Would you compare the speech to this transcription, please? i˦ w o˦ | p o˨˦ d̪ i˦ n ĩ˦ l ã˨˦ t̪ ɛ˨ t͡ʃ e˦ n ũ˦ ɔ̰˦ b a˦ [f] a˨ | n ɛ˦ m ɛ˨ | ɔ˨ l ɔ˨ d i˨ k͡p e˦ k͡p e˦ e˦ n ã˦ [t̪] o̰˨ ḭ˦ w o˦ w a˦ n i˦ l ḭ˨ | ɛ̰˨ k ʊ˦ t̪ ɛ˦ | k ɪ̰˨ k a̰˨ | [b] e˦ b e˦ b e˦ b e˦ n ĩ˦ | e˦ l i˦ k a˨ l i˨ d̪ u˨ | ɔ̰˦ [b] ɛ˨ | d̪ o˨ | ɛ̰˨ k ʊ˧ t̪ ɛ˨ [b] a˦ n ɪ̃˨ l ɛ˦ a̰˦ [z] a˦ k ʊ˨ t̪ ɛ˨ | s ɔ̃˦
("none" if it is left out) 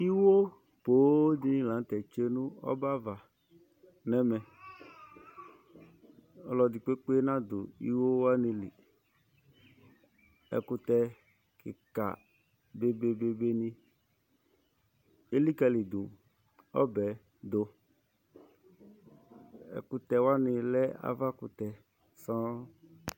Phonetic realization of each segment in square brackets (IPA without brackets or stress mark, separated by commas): v, d̪, b, b, w, v